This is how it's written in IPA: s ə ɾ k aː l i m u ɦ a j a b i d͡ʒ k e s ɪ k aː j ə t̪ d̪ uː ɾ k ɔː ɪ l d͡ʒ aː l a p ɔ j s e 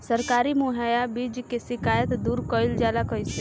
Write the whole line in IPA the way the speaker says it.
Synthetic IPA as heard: s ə ɾ k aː ɾ i m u ɦ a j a b i d͡ʒ k e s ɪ k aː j ə t̪ d̪ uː ɾ k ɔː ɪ l d͡ʒ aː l a k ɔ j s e